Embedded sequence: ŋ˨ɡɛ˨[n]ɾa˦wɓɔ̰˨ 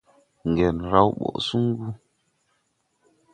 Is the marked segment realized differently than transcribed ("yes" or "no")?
no